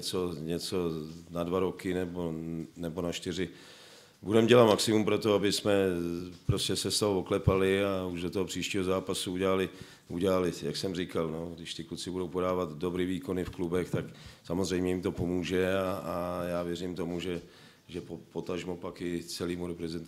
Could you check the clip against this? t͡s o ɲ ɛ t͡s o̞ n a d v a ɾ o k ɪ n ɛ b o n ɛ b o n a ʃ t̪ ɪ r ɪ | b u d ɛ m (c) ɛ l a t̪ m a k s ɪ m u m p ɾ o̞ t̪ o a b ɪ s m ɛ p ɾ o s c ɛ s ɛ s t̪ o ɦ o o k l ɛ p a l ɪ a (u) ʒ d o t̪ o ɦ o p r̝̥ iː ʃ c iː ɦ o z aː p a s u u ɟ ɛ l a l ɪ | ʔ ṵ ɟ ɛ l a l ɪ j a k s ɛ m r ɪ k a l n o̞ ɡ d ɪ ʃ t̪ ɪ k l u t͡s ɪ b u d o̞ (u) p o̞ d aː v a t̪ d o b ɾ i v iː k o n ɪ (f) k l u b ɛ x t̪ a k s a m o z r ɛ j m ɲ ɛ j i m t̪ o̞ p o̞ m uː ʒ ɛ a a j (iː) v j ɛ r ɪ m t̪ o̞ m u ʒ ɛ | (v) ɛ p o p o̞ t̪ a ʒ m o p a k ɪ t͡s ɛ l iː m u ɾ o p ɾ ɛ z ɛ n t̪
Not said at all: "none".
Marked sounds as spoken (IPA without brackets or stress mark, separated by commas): ɟ, u, w, f, aː, ʒ